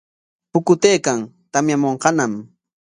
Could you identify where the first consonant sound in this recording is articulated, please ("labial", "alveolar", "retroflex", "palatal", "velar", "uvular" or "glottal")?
labial